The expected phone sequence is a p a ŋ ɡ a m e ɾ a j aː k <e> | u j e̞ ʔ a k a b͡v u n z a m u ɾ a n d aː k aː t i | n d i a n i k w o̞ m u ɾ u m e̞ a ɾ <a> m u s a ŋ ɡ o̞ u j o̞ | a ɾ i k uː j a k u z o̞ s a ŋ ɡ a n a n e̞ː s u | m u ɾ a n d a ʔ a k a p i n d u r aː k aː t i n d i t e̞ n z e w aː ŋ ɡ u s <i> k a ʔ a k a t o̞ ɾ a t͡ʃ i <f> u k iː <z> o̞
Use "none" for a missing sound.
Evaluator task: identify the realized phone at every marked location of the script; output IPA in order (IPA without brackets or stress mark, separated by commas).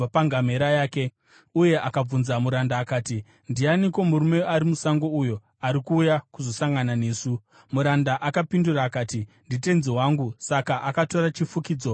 e, i, a, f, d͡z